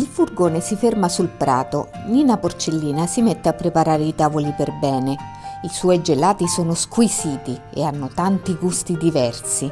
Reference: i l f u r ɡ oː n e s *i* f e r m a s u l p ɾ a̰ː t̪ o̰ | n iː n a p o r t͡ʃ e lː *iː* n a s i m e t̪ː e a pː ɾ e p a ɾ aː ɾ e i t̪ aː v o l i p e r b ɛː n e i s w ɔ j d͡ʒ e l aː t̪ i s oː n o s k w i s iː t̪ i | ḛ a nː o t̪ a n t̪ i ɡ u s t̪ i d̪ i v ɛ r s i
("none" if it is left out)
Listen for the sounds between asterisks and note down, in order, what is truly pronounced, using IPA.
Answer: i, iː

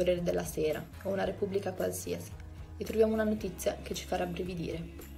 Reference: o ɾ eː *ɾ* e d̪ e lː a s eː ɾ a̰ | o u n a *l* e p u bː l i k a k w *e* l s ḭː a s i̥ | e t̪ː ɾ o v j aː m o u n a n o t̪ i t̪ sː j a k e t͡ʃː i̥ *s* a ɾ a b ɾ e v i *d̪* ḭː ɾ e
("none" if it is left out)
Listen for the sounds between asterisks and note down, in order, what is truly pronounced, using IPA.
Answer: ɾ, ɾ, a, f, d̪

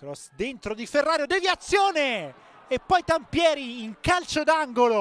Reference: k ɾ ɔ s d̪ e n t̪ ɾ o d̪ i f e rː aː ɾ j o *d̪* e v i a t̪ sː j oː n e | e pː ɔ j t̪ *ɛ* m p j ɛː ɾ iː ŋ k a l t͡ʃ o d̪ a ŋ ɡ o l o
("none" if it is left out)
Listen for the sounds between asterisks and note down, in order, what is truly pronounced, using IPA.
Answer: d̪, a

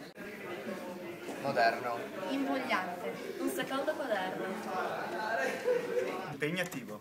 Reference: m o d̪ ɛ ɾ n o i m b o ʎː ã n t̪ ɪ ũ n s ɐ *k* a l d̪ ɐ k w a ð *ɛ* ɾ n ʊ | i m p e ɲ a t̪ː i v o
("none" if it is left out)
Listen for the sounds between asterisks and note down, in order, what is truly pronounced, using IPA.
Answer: k, ɛ

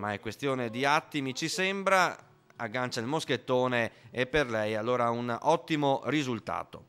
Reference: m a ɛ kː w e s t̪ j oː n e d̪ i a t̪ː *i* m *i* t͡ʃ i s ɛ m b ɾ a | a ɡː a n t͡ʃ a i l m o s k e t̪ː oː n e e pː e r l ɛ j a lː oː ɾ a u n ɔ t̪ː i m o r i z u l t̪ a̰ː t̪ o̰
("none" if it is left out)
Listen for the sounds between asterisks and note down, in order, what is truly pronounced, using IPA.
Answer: i, i

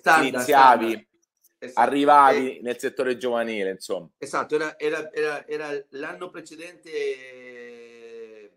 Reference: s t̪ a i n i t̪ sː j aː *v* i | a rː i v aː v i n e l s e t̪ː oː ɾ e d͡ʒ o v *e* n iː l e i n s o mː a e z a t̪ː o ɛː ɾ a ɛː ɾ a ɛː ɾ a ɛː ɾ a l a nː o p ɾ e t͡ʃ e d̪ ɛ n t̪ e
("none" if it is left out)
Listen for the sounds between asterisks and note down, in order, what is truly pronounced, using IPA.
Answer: v, a

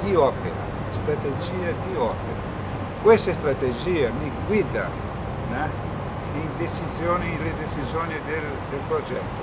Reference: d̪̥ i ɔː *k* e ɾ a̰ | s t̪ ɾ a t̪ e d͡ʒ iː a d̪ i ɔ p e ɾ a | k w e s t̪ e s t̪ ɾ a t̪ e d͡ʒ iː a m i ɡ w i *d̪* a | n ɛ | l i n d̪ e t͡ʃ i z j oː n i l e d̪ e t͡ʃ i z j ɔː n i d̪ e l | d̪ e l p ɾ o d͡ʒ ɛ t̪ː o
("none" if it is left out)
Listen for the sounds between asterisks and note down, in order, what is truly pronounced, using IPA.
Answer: p, d̪

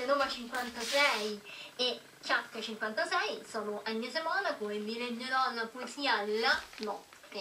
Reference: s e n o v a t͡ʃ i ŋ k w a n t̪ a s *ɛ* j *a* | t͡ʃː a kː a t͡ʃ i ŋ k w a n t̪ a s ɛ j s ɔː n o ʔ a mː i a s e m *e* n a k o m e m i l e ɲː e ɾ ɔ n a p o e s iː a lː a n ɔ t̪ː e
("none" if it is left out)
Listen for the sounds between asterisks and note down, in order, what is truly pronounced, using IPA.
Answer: ɛ, e, a

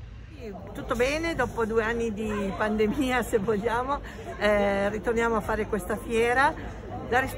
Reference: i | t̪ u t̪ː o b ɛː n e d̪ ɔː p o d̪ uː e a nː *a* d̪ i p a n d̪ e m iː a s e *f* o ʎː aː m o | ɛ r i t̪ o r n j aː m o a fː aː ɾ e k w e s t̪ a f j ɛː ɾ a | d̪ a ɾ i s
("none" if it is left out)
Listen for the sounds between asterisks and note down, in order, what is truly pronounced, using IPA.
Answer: i, v

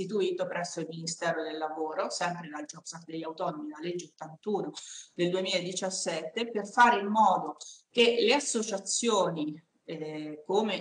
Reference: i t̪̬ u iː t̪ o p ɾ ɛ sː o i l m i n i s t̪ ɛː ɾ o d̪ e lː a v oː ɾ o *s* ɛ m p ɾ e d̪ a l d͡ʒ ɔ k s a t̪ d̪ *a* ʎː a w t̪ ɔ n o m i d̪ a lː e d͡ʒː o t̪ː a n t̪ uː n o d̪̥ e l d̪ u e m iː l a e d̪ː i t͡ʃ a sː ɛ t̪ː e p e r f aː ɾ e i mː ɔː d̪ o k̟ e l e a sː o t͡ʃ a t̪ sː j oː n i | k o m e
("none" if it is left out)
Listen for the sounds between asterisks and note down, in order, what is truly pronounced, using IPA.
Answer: s, e

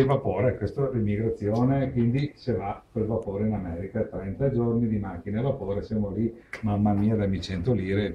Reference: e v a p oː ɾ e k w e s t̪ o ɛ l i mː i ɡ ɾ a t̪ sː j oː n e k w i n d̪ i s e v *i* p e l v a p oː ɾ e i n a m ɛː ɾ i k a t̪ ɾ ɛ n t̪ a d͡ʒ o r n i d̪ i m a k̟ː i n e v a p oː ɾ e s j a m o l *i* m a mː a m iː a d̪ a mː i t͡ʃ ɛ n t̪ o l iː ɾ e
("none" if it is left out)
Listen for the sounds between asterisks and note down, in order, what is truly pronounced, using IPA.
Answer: a, i

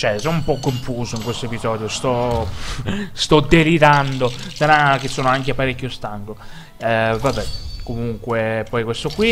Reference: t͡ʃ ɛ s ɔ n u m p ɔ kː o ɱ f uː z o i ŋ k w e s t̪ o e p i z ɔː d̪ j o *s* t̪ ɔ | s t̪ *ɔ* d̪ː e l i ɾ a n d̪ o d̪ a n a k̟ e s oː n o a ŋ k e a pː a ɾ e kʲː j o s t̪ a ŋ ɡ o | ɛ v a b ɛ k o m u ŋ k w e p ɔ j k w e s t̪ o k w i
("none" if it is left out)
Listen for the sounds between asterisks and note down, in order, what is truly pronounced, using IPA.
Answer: s, ɔ

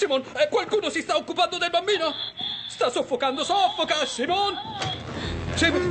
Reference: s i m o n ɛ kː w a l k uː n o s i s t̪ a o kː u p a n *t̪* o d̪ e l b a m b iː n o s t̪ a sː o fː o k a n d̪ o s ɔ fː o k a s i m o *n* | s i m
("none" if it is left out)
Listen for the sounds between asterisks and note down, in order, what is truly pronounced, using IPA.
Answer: d̪, n

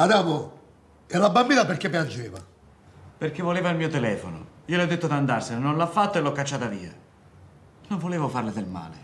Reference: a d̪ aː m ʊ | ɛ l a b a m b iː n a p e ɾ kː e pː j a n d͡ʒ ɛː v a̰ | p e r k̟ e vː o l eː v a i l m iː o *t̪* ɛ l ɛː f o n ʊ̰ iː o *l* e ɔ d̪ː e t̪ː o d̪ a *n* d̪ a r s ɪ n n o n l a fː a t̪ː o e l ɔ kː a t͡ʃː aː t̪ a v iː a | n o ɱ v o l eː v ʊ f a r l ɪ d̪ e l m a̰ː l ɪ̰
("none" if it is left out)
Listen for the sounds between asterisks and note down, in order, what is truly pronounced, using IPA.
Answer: t̪, l, n

